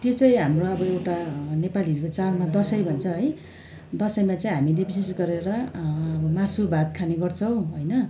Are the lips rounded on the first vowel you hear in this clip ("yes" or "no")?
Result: yes